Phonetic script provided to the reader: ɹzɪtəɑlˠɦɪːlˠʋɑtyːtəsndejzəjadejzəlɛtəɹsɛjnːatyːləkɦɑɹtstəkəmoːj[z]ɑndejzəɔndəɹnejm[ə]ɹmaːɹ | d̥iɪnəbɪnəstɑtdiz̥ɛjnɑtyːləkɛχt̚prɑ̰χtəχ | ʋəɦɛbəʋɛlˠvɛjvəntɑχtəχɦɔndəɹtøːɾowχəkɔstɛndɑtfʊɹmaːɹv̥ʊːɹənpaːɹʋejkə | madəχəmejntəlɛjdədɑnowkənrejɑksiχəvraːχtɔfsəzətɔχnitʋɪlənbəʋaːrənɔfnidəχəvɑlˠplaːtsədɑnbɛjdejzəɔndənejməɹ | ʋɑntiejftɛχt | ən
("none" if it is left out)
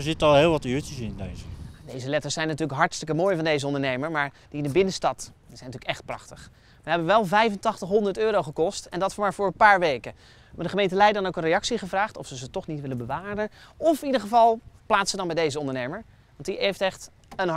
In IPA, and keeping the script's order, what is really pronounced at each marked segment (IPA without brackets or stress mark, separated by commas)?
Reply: v, ə